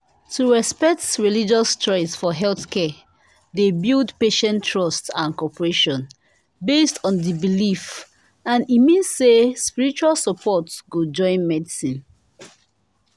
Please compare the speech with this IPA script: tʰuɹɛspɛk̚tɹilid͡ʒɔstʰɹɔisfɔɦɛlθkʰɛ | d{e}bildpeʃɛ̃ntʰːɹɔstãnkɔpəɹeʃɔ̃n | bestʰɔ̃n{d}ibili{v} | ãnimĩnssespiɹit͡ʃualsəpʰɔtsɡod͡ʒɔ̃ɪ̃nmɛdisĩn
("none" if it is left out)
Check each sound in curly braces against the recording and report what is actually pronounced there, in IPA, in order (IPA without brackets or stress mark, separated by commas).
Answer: e, d, f